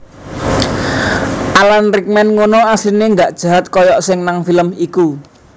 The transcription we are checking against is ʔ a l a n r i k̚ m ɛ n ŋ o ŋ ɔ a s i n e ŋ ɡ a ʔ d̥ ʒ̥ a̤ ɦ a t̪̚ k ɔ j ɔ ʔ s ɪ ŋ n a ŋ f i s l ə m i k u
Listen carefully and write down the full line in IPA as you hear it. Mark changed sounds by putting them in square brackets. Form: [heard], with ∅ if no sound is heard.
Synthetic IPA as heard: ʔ a l a n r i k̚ m ɛ n ŋ o [n] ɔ a s i n e ŋ ɡ a ʔ d̥ ʒ̥ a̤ ɦ a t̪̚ k ɔ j ɔ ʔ s ɪ ŋ n a ŋ f i [∅] l ə m i k u